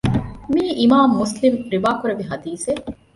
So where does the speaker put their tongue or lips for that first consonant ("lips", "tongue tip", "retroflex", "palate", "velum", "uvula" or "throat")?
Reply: lips